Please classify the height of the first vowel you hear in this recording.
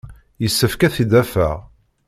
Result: mid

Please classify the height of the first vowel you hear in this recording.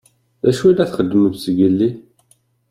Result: low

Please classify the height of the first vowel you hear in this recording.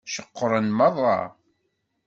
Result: mid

